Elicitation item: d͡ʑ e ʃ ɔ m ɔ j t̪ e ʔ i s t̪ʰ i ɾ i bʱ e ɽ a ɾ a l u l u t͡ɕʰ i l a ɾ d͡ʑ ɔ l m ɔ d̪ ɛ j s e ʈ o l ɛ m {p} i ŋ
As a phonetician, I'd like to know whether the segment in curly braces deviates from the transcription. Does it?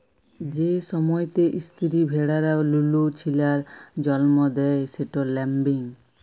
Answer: yes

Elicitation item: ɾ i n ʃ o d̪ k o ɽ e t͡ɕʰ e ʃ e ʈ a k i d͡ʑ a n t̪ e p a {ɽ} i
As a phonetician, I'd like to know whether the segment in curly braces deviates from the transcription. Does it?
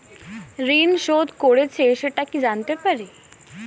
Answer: yes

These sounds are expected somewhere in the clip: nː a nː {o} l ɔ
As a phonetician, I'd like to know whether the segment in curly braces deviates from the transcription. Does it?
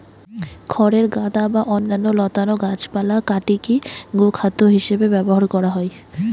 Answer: no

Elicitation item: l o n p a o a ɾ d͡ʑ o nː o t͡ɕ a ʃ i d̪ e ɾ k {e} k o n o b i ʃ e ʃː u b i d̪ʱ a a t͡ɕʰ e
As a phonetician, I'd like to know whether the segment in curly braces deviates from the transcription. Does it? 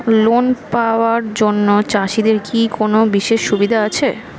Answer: yes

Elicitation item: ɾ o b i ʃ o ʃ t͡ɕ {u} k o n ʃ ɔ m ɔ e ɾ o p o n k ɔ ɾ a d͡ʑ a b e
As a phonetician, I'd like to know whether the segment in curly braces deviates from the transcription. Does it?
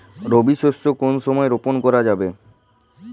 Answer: yes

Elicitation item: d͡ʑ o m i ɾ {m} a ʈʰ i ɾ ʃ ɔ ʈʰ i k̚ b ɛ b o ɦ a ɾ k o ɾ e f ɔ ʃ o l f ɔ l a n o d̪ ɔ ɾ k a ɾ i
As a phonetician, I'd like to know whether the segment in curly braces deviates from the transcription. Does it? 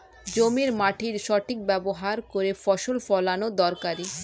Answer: no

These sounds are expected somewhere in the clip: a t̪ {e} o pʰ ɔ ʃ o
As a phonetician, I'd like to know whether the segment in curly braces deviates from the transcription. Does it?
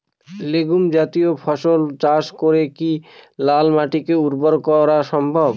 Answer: yes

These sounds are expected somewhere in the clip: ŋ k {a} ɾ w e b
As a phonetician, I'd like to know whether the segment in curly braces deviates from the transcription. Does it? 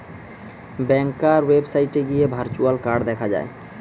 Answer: no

